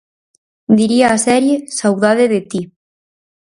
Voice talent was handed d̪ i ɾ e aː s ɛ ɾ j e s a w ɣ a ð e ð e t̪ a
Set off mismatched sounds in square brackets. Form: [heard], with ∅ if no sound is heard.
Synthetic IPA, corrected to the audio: d̪ i ɾ [i] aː s ɛ ɾ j e s a w [ð] a ð e ð e t̪ [i]